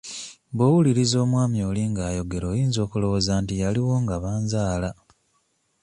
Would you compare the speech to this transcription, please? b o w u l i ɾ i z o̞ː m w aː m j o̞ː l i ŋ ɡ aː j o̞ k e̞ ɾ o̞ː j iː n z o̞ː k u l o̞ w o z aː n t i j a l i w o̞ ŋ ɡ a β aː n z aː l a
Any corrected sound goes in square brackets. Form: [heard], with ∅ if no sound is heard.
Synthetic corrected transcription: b o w u l i ɾ i z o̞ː m w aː m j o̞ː l i ŋ ɡ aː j o̞ [ɡ] e̞ ɾ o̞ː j iː n z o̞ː k u l o̞ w o z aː n t i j a l i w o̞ ŋ ɡ a β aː n z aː l a